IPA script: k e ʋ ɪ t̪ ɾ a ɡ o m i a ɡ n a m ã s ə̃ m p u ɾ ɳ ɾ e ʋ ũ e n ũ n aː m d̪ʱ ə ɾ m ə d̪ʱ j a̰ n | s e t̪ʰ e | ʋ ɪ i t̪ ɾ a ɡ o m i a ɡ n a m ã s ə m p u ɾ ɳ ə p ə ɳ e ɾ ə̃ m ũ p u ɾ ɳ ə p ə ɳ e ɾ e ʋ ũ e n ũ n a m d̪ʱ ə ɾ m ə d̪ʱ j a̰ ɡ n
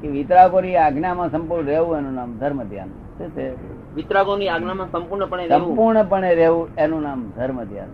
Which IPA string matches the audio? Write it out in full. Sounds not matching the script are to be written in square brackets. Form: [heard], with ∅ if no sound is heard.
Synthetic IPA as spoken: k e ʋ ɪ t̪ ɾ a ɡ o [n] i a ɡ n a m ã s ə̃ m p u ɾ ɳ ɾ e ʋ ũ e n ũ n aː m d̪ʱ ə ɾ m ə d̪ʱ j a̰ n | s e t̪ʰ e | ʋ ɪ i t̪ ɾ a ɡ o [n] i a ɡ n a m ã s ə m p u ɾ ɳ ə p ə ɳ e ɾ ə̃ m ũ p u ɾ ɳ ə p ə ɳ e ɾ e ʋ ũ e n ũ n a m d̪ʱ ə ɾ m ə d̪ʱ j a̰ [∅] n